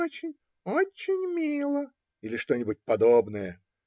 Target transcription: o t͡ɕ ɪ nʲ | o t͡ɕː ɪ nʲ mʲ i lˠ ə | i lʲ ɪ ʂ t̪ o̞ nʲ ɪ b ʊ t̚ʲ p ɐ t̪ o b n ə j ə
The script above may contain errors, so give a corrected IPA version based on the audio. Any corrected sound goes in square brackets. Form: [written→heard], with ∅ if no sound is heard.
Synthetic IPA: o t͡ɕ ɪ nʲ | o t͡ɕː ɪ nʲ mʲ i lˠ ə | i lʲ ɪ ʂ t̪ o̞ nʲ ɪ b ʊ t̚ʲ p ɐ [t̪→d̪] o b n ə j ə